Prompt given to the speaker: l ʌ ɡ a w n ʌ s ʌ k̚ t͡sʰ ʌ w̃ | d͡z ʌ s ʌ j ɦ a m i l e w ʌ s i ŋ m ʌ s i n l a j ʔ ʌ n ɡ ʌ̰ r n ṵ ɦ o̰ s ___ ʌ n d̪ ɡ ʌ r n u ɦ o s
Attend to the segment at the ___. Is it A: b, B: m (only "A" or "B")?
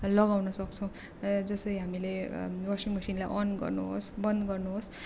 A